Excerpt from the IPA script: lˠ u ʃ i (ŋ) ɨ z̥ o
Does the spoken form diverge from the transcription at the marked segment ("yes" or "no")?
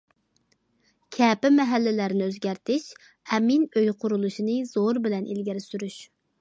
yes